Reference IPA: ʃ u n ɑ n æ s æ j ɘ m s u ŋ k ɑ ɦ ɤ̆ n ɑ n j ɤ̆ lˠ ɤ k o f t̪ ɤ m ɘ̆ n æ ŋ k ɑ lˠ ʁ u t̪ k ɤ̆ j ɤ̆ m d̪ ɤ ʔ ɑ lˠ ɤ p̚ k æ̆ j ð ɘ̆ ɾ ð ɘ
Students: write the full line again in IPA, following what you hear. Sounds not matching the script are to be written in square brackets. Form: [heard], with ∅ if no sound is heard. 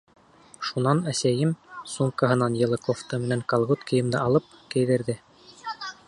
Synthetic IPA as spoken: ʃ u n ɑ n æ s æ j ɘ m s u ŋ k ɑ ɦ ɤ̆ n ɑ n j ɤ̆ lˠ ɤ k o f t̪ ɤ m ɘ̆ n æ ŋ k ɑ lˠ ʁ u t̪ k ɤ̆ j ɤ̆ m d̪ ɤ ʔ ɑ lˠ ɤ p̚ k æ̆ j ð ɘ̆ ɾ ð ɘ